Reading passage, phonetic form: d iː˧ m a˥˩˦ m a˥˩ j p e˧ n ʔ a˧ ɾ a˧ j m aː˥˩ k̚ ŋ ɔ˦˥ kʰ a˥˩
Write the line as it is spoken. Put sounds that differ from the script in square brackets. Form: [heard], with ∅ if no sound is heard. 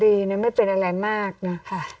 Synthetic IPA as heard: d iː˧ [n] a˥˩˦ m a˥˩ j p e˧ n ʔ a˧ ɾ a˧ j m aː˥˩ k̚ [n] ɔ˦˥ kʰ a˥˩